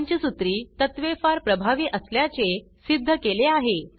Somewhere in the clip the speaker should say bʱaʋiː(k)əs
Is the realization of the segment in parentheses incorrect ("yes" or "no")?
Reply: yes